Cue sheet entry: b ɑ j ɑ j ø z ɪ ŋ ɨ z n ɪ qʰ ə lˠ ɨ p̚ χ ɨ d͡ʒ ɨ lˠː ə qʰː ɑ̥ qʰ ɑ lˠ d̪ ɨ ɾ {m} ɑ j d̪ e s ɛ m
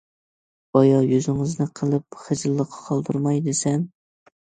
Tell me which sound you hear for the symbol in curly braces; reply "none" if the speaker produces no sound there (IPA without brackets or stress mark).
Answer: m